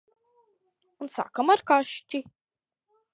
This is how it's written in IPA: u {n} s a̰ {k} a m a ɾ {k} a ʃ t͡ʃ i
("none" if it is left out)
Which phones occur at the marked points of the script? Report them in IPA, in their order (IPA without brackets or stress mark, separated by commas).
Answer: n, k, k